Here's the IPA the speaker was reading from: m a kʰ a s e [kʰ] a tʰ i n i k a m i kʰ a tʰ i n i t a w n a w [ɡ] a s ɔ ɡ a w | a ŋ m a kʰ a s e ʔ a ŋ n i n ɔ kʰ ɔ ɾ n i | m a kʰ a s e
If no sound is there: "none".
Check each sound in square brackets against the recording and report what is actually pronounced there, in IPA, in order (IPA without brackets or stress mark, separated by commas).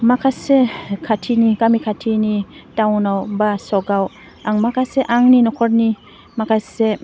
kʰ, b